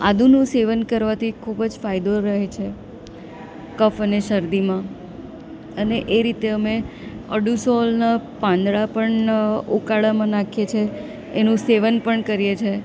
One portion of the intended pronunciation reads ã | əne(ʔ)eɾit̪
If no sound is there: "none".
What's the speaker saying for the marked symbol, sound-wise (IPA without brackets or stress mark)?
ʔ